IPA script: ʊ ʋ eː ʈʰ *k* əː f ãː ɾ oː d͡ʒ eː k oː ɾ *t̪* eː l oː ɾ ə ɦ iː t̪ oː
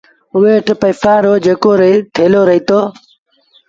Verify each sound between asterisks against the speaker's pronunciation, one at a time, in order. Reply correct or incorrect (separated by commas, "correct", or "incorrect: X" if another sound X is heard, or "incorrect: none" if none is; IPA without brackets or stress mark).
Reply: incorrect: p, incorrect: t̪ʰ